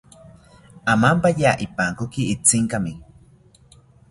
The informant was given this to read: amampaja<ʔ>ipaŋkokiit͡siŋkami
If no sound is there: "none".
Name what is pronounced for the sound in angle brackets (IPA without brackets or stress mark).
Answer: ʔ